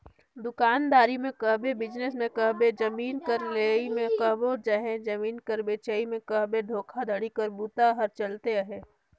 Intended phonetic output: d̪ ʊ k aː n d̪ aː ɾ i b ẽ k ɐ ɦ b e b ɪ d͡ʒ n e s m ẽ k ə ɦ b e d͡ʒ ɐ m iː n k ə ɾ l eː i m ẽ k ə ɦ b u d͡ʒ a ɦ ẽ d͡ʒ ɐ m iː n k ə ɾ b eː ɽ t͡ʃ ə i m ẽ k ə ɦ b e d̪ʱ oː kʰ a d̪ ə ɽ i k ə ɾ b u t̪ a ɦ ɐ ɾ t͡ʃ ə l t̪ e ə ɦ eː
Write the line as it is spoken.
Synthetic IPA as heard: d̪ ʊ k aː n d̪ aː ɾ i m ẽ k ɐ ɦ b e b ɪ d͡ʒ n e s m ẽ k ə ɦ b e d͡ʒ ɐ m iː n k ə ɾ l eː i m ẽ k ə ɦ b o d͡ʒ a ɦ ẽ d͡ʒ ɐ m iː n k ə ɾ b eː t͡ʃ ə i m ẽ k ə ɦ b e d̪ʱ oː kʰ a d̪ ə ɽ i k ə ɾ b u t̪ a ɦ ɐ ɾ t͡ʃ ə l t̪ e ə ɦ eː